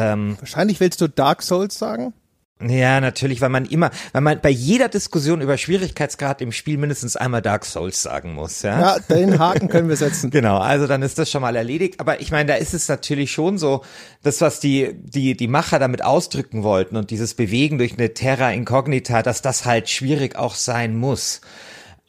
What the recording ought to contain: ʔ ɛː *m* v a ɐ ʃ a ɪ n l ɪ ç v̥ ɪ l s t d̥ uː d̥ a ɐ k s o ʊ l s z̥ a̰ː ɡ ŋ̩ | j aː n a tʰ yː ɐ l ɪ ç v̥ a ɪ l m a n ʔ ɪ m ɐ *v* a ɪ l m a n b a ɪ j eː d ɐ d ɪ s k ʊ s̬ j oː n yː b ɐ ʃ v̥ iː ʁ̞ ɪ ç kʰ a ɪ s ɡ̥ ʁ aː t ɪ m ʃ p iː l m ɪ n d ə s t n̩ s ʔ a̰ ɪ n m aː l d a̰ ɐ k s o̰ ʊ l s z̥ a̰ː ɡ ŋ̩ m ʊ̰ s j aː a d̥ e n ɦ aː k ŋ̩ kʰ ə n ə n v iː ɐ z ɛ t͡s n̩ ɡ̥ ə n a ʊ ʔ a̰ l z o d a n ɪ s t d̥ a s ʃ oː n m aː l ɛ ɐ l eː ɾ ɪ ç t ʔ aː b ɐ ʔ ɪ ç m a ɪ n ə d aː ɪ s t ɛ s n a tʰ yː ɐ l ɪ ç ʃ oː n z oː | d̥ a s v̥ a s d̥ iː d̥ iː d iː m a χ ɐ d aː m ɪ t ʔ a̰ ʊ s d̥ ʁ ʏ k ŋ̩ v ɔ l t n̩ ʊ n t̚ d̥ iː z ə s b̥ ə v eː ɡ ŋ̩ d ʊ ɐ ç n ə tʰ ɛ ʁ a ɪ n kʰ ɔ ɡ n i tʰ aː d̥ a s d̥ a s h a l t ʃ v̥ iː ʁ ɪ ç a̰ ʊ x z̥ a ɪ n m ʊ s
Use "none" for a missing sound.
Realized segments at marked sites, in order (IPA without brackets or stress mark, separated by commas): m, v